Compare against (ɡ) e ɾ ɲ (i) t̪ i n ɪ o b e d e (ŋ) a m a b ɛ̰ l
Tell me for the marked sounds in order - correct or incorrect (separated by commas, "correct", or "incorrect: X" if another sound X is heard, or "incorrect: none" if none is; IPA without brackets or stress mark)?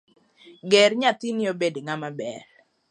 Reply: correct, incorrect: a, correct